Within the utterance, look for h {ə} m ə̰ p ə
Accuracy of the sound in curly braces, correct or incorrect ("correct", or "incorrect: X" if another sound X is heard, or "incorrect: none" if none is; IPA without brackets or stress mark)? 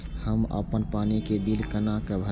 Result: correct